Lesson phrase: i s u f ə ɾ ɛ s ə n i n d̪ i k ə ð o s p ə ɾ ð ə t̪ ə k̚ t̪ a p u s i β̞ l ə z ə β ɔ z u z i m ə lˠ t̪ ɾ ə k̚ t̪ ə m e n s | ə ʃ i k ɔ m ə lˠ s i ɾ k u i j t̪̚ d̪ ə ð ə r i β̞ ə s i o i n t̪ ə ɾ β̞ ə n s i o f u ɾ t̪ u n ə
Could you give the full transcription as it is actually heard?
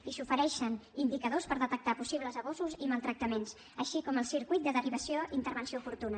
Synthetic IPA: i s u f ə ɾ ɛ ʃ ə n i n d̪ i k ə ð o s p ə ɾ ð ə t̪ ə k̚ t̪ a p u s i β̞ l ə z ə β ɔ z u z i m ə lˠ t̪ ɾ ə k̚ t̪ ə m e n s | ə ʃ i k ɔ m ə lˠ s i ɾ k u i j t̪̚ d̪ ə ð ə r i β̞ ə s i o i n t̪ ə ɾ β̞ ə n s i o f u ɾ t̪ u n ə

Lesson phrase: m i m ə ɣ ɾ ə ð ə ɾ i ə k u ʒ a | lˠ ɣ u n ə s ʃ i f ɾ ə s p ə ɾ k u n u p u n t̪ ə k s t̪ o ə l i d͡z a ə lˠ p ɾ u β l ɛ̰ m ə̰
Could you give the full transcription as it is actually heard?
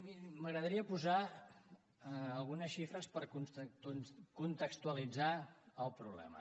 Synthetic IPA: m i m ə ɣ ɾ ə ð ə ɾ i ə p u z a | lˠ ɣ u n ə s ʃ i f ɾ ə s p ə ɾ k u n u k u n t̪ ə k s t̪ u ə l i d͡z a ə lˠ p ɾ u β l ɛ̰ m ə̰

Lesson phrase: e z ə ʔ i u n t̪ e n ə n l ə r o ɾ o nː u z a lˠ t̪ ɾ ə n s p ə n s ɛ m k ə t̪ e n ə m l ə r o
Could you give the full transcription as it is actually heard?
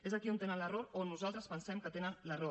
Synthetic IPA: e z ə k i u n t̪ e n ə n l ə r o ɾ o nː u z a lˠ t̪ ɾ ə s p ə n s ɛ m k ə t̪ e n ə n l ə r o

